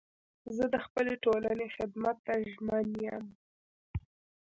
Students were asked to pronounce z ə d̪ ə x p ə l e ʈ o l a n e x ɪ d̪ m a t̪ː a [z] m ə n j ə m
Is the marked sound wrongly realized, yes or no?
yes